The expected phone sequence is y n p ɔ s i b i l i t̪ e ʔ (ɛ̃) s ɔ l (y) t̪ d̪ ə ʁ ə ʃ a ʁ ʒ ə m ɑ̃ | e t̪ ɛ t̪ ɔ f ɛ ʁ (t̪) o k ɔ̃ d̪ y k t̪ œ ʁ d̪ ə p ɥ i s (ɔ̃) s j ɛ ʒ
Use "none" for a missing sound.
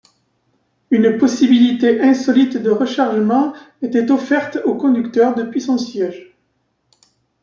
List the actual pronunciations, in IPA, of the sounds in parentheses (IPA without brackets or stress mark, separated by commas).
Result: ɛ̃, i, t̪, ɔ̃